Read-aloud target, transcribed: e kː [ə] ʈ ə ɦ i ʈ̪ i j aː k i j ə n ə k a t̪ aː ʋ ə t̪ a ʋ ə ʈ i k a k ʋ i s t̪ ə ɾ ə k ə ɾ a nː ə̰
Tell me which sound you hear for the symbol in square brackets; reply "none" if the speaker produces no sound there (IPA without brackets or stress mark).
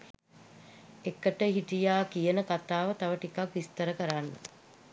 ə